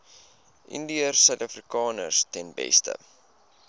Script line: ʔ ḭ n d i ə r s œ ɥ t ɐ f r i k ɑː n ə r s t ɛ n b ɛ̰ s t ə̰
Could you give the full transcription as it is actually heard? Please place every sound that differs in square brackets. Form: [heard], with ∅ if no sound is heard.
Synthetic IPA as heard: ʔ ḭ n d i ə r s œ ɥ t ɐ f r i k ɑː n ə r s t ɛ n b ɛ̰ s t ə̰